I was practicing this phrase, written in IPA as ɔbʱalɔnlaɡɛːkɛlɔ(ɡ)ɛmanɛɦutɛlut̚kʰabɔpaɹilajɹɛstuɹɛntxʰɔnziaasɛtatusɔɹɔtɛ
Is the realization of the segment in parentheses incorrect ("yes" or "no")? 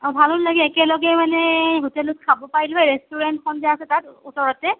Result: no